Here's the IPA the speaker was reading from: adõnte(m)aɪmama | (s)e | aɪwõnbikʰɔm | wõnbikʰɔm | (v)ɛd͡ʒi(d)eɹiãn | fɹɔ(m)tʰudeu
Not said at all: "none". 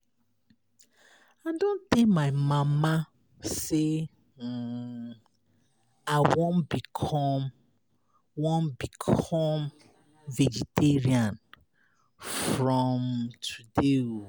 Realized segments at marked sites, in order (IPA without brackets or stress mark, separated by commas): m, s, v, t, m